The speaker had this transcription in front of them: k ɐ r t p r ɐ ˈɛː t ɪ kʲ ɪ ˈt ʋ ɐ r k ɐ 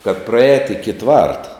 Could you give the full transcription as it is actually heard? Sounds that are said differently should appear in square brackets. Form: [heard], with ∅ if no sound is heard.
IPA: k ɐ [∅] t p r ɐ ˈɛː t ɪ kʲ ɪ ˈt ʋ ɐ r [t] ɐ